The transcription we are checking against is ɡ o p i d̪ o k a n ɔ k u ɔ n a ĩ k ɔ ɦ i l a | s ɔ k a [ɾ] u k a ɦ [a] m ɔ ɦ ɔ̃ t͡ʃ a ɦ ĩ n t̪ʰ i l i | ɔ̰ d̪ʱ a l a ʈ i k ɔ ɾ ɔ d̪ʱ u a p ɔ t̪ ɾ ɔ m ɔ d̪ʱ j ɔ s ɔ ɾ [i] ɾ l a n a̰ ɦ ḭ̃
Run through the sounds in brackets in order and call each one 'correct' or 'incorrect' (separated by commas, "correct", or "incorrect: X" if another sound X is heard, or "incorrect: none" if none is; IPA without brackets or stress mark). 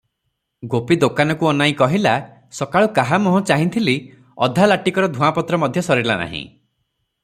incorrect: ɭ, correct, correct